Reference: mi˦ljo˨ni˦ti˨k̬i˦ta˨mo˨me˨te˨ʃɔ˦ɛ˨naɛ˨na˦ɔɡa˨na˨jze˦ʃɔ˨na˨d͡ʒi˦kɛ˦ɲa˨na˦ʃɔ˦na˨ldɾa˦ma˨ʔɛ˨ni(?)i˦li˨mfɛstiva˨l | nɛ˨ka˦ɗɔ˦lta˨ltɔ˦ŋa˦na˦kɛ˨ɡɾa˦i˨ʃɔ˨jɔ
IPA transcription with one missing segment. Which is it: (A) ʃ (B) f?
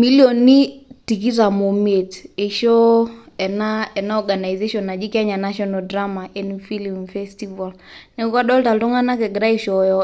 B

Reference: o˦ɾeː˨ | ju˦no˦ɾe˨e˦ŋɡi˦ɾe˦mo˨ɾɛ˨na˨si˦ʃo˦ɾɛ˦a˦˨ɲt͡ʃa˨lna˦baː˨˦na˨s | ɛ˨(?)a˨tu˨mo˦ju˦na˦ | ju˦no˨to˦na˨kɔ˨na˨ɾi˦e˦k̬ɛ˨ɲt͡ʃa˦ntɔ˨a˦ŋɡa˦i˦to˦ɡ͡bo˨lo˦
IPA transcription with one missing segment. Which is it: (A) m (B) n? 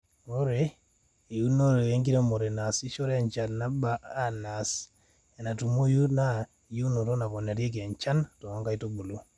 B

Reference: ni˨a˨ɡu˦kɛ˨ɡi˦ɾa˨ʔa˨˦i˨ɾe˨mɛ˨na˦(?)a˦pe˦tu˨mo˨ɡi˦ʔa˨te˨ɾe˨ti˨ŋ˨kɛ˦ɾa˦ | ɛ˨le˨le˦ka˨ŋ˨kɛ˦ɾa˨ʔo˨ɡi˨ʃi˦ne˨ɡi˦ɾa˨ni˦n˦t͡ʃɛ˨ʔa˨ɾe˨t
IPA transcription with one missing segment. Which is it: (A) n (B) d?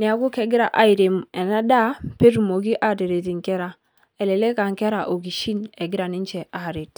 B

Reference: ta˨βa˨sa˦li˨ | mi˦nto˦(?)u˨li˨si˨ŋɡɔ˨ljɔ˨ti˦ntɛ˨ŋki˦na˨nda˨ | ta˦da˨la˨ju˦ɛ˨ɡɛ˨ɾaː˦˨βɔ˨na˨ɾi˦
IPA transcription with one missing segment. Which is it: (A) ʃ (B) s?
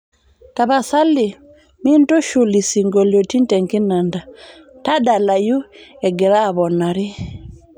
A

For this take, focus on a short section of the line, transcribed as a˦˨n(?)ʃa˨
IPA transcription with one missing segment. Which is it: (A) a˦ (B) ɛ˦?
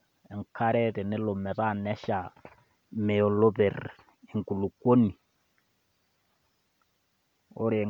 B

